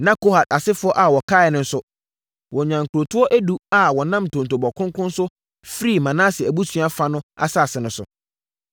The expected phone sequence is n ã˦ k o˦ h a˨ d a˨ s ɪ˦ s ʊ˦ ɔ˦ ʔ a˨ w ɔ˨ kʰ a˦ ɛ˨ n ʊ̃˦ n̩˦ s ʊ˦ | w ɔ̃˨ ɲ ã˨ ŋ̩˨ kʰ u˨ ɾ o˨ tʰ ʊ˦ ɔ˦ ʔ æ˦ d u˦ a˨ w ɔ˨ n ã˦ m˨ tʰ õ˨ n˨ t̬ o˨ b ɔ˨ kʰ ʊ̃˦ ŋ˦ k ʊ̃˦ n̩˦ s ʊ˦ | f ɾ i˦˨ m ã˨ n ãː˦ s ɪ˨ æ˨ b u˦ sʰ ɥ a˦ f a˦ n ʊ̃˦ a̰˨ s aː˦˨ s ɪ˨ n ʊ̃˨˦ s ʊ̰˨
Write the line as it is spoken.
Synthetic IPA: n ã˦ k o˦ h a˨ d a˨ s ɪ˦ f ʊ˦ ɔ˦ ʔ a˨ w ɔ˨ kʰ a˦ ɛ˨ n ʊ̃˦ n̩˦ s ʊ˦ | w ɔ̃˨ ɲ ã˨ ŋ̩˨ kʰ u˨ ɾ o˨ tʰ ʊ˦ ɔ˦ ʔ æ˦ d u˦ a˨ w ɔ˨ n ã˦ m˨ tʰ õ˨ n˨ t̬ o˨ b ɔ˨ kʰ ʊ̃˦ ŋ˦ k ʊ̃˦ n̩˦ s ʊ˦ | f ɾ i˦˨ m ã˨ n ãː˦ s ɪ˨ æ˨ b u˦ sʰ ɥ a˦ f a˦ n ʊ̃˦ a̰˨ s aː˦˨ s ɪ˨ n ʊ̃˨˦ s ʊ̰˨